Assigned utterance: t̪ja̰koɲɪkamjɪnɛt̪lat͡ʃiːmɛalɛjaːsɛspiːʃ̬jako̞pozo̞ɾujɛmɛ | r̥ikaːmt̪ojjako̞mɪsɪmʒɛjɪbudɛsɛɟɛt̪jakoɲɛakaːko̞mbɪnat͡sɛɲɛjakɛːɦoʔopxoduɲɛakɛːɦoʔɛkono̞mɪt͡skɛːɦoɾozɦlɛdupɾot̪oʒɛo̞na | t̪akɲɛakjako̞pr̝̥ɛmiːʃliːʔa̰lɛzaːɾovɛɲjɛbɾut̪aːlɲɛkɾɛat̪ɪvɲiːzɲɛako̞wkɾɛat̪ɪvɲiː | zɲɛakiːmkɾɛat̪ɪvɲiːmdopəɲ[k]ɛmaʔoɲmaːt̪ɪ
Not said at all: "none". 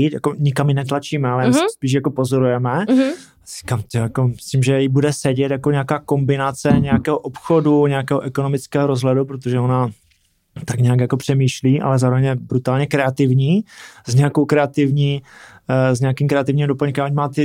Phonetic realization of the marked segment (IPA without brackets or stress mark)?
k